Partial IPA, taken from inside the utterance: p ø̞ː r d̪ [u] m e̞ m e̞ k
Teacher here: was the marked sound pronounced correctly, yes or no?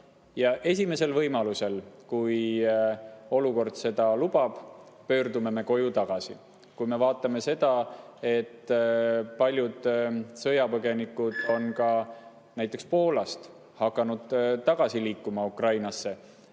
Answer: yes